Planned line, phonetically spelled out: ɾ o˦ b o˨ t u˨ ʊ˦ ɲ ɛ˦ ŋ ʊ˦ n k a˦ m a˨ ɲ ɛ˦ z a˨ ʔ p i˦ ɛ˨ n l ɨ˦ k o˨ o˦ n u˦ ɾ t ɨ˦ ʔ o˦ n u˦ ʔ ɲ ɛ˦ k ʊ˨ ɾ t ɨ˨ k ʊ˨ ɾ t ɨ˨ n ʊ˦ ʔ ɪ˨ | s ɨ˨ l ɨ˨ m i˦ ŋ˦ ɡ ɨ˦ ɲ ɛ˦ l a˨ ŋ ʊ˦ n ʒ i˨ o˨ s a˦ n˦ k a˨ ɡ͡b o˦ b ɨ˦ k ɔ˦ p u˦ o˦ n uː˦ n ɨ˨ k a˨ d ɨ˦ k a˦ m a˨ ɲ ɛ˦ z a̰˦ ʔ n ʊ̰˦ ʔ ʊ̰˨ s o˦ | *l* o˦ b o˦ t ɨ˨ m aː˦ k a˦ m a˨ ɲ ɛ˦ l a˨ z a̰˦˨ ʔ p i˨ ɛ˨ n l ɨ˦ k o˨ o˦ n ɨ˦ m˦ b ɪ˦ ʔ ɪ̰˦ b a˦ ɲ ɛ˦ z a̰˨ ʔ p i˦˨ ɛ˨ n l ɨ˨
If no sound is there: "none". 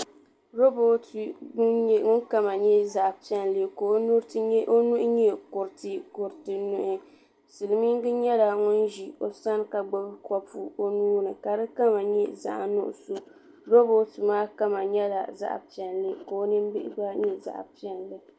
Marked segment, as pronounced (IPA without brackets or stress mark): ɾ